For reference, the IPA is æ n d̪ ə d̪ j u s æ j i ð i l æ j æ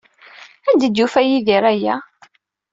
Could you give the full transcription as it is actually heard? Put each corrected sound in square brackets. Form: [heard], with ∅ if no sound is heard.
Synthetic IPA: æ n d̪ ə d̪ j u [f] æ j i ð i [ɾ] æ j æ